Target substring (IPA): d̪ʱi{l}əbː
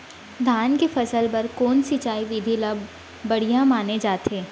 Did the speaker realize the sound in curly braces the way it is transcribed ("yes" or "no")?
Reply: yes